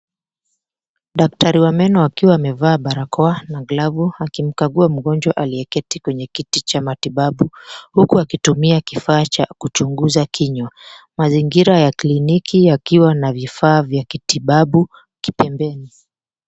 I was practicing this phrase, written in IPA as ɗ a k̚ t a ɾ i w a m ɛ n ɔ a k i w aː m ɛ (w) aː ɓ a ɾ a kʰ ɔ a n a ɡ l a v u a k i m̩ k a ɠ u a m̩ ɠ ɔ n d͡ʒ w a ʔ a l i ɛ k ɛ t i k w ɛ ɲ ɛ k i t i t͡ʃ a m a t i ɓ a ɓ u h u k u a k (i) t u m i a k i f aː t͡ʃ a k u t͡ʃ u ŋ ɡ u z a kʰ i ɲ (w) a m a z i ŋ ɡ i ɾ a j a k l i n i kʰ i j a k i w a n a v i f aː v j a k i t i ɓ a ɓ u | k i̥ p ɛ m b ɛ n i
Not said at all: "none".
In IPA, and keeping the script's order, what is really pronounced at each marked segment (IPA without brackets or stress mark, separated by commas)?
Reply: v, i, w